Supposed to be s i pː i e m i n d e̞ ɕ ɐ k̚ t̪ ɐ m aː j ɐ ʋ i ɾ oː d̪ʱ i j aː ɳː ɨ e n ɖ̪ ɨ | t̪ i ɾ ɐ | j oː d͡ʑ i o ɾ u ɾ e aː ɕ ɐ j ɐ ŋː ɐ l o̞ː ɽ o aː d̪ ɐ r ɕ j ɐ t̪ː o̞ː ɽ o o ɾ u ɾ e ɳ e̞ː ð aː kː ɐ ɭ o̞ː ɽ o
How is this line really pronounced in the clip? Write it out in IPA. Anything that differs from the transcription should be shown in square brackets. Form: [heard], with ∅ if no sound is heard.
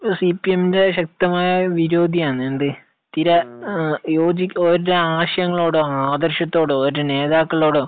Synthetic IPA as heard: s i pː i e m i n d e̞ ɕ ɐ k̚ t̪ ɐ m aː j ɐ ʋ i ɾ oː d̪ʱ i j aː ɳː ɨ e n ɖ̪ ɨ | t̪ i ɾ ɐ | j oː d͡ʑ i o ɾ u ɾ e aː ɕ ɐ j ɐ ŋː ɐ [ɭ] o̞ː ɽ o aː d̪ ɐ r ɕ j ɐ t̪ː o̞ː ɽ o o ɾ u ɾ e [n] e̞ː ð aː kː ɐ ɭ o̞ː ɽ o